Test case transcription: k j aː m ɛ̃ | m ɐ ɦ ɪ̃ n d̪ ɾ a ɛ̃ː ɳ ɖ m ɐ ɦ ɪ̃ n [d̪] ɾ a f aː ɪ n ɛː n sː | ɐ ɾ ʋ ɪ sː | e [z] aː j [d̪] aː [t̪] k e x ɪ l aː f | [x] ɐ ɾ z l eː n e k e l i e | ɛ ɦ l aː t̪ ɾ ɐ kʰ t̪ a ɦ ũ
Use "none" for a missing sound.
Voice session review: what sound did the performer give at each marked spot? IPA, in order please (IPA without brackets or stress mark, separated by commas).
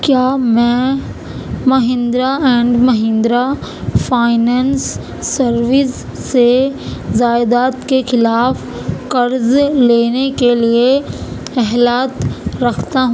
d̪, z, d̪, t̪, k